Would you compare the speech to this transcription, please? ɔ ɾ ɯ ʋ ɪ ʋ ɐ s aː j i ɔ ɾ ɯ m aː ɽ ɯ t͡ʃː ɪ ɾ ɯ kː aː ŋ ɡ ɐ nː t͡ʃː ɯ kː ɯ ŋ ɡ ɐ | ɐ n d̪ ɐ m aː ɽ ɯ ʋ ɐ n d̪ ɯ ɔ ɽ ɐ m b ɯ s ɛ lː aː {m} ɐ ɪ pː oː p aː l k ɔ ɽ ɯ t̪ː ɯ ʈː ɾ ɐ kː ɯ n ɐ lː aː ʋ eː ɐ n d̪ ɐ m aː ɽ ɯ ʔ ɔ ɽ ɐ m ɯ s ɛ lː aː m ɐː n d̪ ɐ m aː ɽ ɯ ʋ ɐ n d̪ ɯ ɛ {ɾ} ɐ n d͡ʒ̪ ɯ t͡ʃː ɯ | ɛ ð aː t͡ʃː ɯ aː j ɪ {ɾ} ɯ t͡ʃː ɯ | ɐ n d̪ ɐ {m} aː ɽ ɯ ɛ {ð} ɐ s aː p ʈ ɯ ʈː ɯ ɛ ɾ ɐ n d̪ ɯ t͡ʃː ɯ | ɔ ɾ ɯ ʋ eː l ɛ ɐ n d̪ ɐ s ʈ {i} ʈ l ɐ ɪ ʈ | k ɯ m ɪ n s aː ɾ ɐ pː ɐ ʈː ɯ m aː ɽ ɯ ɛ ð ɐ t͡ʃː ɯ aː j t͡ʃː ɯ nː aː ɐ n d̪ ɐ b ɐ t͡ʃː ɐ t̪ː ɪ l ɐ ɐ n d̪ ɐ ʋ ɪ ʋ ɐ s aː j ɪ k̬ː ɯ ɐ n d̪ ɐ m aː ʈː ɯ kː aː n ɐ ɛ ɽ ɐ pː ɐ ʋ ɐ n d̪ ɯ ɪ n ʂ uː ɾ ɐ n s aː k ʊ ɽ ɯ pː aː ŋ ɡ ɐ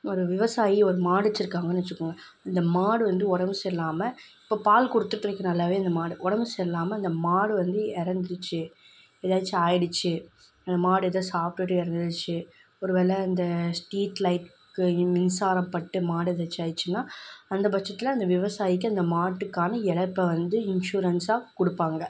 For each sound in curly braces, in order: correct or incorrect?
correct, correct, incorrect: ɽ, correct, correct, incorrect: iː

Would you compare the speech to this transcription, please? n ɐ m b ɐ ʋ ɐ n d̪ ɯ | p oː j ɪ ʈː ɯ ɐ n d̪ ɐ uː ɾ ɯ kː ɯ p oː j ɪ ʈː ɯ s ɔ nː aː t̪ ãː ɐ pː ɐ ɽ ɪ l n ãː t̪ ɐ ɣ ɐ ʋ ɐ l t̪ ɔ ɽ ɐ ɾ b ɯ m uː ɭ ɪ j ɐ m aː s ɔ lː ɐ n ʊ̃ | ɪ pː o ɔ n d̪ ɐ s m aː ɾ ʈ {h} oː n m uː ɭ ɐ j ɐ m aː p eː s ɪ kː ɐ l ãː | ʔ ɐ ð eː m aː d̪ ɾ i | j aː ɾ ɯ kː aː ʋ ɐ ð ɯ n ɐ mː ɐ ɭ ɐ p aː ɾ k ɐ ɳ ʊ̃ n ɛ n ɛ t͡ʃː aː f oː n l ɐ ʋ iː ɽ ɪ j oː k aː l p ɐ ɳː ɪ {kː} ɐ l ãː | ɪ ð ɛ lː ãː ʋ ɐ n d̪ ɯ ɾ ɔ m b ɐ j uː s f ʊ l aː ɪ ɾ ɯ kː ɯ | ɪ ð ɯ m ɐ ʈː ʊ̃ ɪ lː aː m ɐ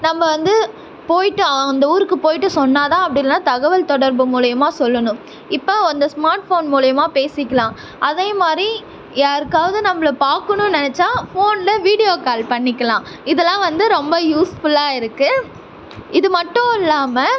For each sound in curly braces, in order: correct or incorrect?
incorrect: f, correct

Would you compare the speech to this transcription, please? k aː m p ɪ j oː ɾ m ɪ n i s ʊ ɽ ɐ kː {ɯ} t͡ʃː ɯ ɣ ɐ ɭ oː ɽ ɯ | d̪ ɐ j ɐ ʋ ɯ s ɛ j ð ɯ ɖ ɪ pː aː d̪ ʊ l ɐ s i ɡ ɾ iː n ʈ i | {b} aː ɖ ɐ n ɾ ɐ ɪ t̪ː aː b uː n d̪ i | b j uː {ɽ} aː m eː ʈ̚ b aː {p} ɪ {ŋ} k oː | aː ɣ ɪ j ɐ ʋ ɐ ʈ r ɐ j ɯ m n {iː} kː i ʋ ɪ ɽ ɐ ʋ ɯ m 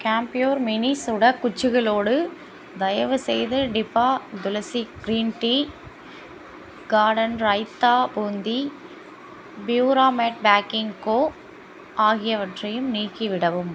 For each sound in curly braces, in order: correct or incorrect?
incorrect: ʊ, incorrect: ɡ, incorrect: ɾ, incorrect: k, correct, correct

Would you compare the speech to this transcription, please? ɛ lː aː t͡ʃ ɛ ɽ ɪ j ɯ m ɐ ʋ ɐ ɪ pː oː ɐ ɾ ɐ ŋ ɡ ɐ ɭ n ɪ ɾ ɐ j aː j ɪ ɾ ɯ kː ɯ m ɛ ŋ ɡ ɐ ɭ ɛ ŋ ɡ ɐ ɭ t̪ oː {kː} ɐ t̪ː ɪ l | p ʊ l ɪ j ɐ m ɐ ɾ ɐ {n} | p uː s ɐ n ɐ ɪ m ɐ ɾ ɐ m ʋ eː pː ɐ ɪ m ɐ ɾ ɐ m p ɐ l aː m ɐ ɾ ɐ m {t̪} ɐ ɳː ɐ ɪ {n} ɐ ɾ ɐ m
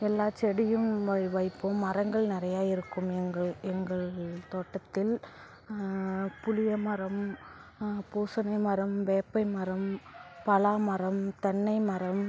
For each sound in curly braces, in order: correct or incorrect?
incorrect: ʈː, incorrect: m, correct, incorrect: m

